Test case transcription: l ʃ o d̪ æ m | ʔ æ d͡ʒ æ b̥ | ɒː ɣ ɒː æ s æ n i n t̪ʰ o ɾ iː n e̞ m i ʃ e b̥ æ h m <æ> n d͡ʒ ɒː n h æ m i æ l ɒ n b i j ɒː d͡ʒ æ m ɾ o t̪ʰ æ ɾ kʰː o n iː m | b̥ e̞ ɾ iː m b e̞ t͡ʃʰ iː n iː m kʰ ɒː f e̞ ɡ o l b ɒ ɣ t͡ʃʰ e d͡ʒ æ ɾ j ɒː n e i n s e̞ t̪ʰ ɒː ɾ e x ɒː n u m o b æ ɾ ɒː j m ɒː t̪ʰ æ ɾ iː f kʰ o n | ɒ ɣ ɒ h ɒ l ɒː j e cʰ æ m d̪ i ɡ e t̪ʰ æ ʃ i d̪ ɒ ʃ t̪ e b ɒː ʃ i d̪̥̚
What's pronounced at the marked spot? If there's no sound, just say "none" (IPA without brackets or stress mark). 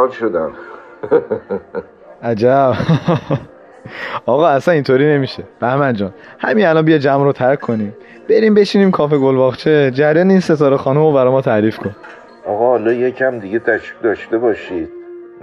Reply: æ